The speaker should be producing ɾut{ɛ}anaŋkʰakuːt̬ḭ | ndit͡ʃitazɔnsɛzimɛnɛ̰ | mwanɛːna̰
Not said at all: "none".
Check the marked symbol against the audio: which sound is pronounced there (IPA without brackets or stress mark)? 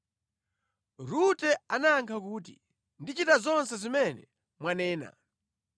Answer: ɛ